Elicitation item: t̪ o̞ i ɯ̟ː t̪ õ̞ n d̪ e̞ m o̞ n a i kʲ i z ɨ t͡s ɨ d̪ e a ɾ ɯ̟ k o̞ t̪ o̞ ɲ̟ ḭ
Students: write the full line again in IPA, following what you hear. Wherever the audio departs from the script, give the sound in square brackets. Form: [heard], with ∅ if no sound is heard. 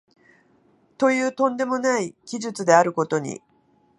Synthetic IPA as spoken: t̪ o̞ [j] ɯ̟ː t̪ õ̞ n d̪ e̞ m o̞ n a i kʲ i [ʑ] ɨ t͡s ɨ d̪ e a ɾ ɯ̟ k o̞ t̪ o̞ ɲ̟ ḭ

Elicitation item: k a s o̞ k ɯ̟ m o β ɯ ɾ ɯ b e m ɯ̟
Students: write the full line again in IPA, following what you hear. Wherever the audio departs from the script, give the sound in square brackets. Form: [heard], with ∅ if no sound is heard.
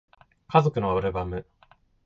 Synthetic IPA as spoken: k a [z] o̞ k ɯ̟ [n] o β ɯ ɾ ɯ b [a] m ɯ̟

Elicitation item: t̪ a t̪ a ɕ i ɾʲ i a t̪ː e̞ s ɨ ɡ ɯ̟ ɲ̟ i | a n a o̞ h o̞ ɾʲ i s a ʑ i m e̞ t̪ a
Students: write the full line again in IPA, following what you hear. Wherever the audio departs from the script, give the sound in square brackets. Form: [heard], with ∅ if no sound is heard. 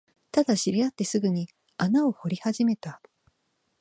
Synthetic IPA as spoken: t̪ a [d̪] a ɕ i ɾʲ i a t̪ː e̞ s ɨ ɡ ɯ̟ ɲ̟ i | a n a o̞ h o̞ ɾʲ i [h] a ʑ i m e̞ t̪ a

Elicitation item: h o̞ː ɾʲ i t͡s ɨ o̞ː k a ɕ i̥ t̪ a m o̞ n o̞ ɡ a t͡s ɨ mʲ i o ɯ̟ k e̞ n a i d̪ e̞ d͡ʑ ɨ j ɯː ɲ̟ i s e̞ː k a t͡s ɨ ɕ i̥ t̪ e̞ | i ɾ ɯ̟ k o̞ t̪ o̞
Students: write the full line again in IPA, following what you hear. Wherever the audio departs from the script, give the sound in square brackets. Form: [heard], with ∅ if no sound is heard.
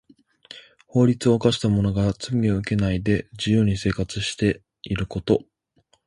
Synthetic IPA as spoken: h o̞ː ɾʲ i t͡s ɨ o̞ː k a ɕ i̥ t̪ a m o̞ n o̞ ɡ a t͡s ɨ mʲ i o ɯ̟ k e̞ n a i d̪ e̞ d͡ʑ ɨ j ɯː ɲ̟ i s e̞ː k a t͡s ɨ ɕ i̥ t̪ e̞ | i ɾ ɯ̟ k o̞ t̪ o̞

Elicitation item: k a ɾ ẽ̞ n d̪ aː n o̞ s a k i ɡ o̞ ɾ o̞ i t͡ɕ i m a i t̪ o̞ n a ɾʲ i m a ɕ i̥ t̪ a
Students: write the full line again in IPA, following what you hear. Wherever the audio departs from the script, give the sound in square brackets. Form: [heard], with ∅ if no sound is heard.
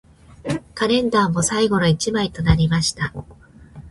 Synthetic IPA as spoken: k a ɾ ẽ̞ n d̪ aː [m] o̞ s a [∅] i ɡ o̞ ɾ o̞ i t͡ɕ i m a i t̪ o̞ n a ɾʲ i m a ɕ i̥ t̪ a

